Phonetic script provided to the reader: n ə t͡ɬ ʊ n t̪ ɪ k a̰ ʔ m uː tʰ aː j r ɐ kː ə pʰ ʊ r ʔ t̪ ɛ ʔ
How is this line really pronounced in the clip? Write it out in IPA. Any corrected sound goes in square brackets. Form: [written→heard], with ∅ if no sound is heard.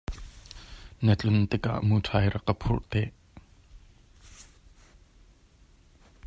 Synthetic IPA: n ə t͡ɬ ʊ n t̪ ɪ k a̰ ʔ m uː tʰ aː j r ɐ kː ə pʰ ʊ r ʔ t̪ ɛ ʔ